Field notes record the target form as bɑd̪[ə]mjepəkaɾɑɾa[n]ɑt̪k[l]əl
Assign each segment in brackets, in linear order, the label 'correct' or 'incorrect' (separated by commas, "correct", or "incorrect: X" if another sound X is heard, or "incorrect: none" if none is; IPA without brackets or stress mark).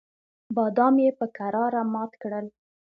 incorrect: ɑ, incorrect: m, incorrect: ɽ